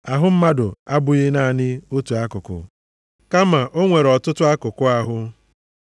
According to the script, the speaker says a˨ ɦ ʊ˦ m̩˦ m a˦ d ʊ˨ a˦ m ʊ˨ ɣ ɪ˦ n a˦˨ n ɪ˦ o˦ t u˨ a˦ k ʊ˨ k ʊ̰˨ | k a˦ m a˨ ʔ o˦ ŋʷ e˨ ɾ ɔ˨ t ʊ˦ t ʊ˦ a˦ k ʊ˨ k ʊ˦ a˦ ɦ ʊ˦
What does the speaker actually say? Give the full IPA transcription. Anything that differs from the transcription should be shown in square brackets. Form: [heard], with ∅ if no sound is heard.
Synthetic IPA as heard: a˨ ɦ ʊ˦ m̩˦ m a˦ d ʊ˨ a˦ [b] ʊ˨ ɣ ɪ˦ n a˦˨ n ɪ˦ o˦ t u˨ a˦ k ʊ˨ k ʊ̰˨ | k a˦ m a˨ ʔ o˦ ŋʷ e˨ ɾ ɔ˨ t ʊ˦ t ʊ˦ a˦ k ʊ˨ k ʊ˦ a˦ ɦ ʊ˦